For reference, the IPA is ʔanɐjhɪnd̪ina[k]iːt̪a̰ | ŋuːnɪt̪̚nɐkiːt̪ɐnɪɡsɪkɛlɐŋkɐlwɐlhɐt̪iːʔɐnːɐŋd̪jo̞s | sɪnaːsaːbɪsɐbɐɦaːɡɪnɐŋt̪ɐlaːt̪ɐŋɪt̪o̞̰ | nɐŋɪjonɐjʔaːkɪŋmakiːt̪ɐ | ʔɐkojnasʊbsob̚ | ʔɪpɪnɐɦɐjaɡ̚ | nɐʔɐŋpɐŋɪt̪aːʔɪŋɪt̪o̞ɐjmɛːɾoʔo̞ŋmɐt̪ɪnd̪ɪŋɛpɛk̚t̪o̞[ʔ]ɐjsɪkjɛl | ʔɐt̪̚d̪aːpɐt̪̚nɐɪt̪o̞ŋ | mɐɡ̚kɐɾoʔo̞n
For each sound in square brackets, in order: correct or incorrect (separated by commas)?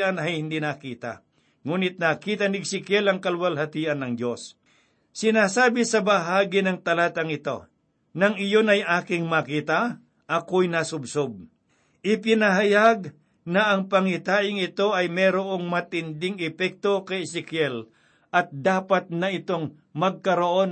correct, incorrect